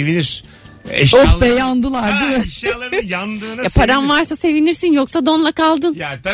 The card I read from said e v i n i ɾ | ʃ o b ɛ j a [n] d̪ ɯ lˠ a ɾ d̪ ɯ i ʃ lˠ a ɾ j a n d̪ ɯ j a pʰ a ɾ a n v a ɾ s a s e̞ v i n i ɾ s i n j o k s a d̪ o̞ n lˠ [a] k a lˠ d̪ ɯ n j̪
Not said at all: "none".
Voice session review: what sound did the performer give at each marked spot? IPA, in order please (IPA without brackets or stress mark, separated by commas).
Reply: n, a